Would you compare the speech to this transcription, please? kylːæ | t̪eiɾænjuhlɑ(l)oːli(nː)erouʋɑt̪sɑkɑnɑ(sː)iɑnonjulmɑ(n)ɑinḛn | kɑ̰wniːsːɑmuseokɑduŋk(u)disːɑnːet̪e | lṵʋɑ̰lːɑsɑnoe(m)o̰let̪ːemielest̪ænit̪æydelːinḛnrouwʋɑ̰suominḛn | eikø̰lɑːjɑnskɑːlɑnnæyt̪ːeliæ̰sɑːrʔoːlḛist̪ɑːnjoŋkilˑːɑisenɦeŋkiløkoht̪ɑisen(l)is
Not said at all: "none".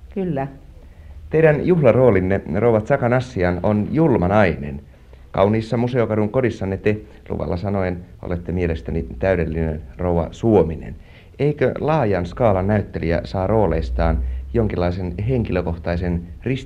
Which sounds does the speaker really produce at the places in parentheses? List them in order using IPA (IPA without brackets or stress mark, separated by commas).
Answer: r, nː, sː, n, o, n, r